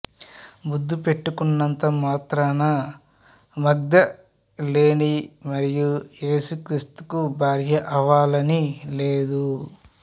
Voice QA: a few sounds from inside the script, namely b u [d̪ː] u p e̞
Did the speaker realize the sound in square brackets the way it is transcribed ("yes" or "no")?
yes